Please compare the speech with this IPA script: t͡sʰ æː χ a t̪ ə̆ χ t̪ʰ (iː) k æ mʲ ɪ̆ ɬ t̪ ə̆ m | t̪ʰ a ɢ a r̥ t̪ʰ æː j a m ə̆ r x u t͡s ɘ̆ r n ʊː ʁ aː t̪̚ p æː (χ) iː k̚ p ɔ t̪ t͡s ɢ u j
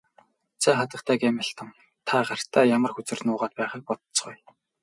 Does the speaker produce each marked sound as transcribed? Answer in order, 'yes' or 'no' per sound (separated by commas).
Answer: no, yes